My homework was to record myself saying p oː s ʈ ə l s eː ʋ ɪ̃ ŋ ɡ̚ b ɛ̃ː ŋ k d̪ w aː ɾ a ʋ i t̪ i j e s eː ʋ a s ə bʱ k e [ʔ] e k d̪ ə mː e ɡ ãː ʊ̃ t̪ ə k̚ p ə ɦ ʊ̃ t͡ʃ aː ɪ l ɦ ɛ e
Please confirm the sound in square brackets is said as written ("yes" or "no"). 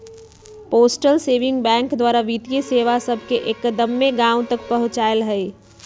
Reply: yes